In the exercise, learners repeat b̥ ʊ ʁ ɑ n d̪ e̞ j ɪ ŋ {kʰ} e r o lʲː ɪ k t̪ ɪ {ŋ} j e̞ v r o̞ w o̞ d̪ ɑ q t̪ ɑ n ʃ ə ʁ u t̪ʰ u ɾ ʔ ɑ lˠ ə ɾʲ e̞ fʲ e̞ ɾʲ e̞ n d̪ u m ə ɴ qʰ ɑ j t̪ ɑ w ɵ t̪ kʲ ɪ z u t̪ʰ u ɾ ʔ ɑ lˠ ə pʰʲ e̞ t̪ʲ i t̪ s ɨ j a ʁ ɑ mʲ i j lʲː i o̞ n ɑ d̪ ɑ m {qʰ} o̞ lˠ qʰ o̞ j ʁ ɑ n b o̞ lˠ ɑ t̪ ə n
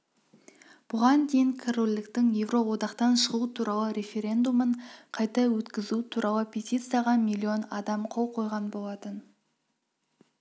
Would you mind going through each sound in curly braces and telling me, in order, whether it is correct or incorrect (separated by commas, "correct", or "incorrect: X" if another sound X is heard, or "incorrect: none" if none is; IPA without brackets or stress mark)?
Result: correct, correct, correct